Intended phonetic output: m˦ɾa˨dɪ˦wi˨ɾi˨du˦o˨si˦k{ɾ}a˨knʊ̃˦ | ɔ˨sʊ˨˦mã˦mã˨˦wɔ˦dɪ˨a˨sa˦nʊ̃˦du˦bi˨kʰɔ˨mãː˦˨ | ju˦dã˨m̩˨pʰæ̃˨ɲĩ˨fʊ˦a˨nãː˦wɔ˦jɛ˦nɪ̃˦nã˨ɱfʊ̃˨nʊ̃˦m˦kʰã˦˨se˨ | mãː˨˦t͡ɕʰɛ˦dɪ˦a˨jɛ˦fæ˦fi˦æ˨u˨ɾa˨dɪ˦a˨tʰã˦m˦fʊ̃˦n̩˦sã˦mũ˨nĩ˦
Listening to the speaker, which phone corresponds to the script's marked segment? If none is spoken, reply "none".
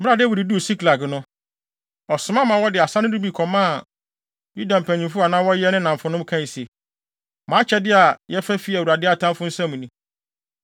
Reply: l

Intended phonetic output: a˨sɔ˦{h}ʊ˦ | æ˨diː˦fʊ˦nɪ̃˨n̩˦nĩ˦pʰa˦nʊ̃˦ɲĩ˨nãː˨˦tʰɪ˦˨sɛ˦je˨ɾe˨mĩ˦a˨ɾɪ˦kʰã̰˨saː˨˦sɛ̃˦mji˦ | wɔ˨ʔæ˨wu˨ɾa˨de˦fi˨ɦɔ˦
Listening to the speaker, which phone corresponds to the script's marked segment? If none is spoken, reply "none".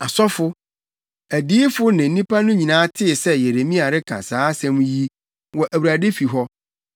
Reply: f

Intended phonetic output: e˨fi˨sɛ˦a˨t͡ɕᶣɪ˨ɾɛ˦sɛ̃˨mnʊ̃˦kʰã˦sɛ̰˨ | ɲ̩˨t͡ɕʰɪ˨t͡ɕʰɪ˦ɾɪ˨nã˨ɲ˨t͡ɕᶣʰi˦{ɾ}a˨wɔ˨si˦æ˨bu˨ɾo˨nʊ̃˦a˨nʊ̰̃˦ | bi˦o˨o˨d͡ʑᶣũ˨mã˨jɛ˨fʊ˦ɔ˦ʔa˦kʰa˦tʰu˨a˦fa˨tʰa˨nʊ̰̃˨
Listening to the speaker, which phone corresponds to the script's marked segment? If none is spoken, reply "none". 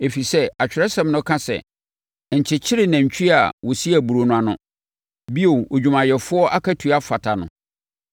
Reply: none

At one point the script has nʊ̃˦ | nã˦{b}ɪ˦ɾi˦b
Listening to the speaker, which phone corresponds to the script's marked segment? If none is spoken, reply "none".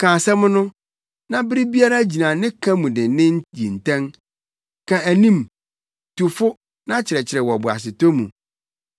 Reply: b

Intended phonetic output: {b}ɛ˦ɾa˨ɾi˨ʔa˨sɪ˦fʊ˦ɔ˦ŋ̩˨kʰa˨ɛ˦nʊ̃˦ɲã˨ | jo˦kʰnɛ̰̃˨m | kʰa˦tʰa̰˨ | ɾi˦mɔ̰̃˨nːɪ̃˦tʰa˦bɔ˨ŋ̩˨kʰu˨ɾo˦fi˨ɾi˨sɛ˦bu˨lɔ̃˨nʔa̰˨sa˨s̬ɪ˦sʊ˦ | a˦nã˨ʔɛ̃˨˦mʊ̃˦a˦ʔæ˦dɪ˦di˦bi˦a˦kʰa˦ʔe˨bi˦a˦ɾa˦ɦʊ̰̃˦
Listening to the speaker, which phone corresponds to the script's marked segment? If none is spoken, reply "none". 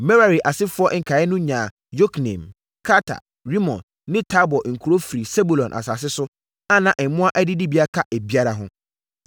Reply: m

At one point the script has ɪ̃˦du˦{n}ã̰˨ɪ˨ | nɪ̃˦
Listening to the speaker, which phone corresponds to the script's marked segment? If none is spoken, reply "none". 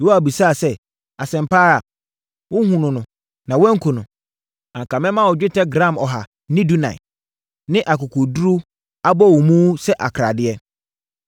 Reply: n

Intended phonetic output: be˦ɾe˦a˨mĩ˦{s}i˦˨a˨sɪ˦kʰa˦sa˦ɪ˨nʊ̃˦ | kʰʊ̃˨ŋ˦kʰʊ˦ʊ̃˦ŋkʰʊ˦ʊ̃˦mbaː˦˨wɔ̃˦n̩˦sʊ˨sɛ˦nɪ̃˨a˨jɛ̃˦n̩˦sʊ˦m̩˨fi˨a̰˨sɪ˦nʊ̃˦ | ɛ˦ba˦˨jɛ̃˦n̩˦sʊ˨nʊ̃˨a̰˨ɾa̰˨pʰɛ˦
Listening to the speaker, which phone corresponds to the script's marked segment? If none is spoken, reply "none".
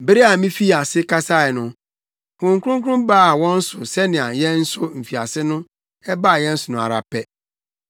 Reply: f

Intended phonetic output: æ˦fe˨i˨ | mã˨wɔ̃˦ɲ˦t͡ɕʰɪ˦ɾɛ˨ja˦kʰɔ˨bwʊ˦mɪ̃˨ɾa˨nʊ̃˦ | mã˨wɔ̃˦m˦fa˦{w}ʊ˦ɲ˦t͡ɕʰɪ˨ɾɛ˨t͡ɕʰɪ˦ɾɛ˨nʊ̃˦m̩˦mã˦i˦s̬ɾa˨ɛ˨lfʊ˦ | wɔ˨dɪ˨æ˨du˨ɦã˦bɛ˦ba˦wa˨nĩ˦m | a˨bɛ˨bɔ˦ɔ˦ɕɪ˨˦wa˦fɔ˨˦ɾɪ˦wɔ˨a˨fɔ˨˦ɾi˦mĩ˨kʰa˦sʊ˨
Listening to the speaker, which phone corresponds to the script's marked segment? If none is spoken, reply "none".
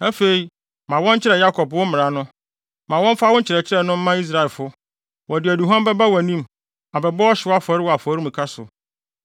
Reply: w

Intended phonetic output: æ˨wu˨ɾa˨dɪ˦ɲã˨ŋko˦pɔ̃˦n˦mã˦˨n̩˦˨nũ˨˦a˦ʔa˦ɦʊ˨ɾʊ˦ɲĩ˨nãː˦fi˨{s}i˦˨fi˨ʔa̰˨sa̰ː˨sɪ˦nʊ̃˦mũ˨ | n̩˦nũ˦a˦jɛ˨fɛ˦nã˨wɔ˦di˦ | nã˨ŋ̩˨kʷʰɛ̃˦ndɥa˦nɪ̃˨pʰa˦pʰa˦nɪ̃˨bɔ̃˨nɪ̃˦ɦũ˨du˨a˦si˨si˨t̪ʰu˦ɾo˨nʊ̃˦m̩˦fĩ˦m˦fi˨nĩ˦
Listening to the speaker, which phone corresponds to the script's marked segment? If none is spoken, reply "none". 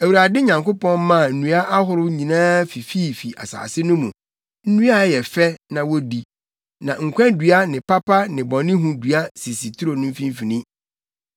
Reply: f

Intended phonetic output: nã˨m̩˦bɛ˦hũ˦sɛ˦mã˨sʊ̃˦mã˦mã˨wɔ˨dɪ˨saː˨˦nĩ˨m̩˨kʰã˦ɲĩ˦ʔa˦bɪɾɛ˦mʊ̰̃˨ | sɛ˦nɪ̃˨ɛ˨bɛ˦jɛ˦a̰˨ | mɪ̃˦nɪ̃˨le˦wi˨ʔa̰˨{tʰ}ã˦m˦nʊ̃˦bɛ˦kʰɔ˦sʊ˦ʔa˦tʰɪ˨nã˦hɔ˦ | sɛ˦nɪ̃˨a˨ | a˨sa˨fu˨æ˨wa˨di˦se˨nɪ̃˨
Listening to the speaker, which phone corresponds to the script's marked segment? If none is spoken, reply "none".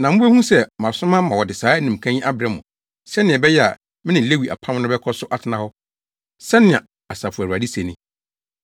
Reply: pʰ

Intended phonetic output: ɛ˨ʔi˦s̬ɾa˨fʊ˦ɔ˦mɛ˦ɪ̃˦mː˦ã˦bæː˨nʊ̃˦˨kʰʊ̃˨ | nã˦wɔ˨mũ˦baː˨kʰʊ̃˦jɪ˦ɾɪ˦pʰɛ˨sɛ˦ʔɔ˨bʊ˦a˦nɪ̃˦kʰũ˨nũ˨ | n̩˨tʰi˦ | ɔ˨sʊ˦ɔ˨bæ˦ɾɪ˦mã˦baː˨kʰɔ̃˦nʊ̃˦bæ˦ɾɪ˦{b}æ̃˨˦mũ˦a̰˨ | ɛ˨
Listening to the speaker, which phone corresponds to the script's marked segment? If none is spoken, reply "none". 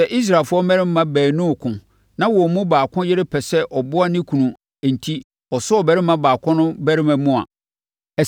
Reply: m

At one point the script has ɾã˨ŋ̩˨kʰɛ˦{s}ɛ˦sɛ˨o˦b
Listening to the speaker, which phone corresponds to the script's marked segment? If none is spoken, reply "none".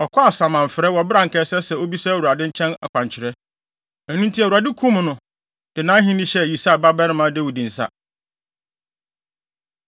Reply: s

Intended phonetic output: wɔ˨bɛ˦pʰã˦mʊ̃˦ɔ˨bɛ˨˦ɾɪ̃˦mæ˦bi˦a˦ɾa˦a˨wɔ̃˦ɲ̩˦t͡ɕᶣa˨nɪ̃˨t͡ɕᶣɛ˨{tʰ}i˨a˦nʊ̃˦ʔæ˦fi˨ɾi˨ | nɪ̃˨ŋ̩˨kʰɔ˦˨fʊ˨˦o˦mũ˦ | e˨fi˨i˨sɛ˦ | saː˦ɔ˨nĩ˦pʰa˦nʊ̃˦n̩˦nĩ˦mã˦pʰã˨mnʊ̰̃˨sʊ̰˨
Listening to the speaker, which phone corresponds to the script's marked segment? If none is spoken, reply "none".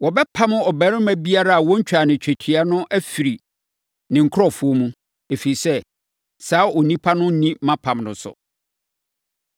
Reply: tʰ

